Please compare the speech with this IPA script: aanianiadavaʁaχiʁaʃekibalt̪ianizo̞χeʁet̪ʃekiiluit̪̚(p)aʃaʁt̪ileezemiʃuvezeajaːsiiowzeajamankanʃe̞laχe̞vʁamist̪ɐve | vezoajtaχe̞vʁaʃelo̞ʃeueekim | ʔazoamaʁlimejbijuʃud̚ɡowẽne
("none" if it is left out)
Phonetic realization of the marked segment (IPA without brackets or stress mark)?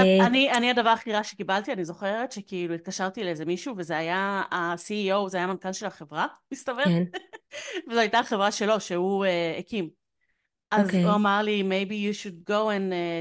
k